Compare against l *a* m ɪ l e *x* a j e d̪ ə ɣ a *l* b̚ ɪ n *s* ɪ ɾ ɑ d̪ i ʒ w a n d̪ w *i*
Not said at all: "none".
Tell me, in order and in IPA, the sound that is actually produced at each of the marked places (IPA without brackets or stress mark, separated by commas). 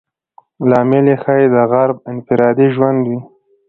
ɑ, x, ɾ, f, i